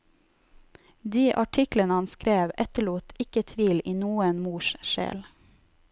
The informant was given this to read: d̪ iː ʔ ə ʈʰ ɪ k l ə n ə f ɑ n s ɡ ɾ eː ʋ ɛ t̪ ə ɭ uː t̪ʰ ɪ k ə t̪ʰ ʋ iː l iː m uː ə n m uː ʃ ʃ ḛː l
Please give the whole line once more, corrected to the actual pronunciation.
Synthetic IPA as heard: d̪ iː ʔ ɑ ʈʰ ɪ k l ə n ə h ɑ n s k ɾ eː ʋ ɛ t̪ ə ɭ uː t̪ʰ ɪ k ə t̪ʰ ʋ iː l iː n uː ə n m uː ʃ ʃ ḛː l